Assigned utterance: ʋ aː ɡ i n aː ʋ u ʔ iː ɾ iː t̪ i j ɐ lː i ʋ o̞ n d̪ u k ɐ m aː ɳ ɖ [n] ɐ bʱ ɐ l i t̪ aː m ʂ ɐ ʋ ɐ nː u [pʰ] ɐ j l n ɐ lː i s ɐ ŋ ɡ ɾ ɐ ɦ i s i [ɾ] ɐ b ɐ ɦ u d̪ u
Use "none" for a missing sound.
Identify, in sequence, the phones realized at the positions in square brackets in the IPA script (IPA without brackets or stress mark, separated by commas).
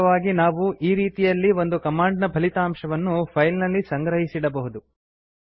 n, pʰ, ɽ